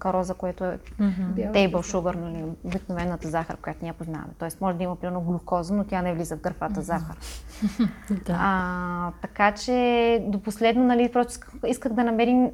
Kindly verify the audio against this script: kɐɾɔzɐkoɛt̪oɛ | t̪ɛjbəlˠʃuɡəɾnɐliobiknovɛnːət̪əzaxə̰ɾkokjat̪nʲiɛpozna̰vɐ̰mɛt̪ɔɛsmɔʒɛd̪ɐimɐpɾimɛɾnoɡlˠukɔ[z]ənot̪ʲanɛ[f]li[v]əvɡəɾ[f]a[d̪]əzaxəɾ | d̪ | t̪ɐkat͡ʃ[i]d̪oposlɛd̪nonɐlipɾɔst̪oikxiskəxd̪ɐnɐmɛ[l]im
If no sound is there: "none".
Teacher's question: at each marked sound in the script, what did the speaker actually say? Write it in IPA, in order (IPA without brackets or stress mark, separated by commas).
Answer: z, v, z, f, t̪, ɛ, ɾ